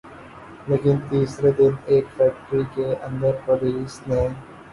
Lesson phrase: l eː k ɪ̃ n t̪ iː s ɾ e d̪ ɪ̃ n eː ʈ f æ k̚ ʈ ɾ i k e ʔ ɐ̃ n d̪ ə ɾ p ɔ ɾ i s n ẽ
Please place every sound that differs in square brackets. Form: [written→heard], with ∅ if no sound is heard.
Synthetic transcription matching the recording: l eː k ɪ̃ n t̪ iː s ɾ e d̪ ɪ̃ n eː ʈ f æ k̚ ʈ ɾ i k e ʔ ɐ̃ n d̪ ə ɾ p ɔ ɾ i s n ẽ